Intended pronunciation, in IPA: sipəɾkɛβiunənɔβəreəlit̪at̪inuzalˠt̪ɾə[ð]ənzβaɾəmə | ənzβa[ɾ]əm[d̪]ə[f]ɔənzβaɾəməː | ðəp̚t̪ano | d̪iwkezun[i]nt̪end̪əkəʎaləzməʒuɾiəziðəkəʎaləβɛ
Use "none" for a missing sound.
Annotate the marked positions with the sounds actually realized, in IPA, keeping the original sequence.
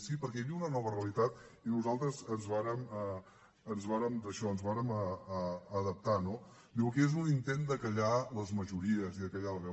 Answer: z, ɾ, d̪, ʃ, i

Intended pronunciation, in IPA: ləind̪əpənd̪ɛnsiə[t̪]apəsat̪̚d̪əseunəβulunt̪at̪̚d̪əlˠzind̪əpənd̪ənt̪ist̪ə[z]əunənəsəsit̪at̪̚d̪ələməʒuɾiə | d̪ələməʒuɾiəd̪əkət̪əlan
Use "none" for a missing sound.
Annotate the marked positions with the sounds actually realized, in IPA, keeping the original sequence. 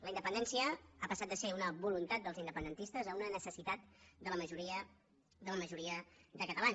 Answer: none, z

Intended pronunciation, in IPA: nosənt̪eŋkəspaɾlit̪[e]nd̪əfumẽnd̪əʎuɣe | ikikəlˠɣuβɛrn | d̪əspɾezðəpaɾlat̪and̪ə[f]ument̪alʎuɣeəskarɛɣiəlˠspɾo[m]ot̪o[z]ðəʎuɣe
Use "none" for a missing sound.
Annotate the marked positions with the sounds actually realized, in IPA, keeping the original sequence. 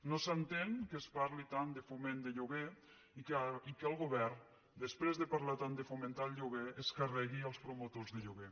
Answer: a, f, m, z

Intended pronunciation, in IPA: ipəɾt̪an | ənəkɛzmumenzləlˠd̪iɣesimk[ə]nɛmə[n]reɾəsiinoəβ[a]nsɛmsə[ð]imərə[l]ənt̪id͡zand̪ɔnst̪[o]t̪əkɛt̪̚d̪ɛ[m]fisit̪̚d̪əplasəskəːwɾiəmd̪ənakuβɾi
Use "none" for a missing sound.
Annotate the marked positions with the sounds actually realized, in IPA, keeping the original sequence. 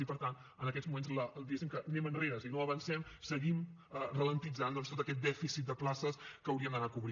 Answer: ə, n, ə, ɣ, l, o, none

